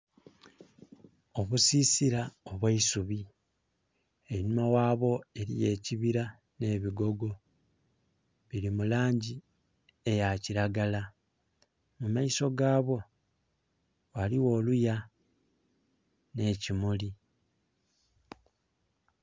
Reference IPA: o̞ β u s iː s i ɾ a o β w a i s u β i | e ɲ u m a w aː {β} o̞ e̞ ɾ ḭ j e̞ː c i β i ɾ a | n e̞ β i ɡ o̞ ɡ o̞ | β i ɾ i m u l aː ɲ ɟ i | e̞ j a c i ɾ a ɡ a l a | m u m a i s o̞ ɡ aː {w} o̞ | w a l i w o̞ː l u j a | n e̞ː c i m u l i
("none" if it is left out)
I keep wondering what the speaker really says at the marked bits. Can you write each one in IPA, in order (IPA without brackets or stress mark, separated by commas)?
β, β